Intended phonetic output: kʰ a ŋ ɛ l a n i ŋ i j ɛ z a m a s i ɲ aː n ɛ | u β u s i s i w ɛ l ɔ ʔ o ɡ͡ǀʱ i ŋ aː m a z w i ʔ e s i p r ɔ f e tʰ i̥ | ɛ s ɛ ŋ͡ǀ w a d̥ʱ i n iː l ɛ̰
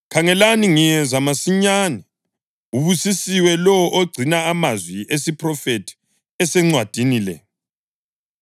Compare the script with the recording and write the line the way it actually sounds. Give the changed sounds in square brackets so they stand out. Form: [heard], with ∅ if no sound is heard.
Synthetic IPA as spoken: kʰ a ŋ ɛ l a n i ŋ i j ɛ z a m a s i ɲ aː n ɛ | u β u s i s i w ɛ l ɔ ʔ o ɡ͡ǀʱ i [n] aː m a z w i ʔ e s i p r ɔ f e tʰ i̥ | ɛ s ɛ ŋ͡ǀ w a d̥ʱ i n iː l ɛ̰